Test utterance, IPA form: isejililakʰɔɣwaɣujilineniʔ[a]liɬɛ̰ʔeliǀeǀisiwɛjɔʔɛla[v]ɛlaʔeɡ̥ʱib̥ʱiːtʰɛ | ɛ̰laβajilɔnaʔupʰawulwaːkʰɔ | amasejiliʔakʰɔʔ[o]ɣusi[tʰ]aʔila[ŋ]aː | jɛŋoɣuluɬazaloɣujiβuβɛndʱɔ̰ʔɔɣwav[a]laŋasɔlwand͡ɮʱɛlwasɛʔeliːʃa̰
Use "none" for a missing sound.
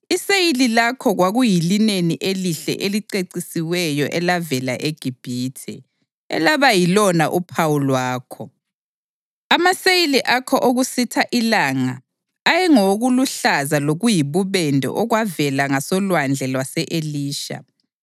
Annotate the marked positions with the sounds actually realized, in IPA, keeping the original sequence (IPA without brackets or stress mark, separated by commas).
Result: e, v, o, tʰ, ŋ, ɛ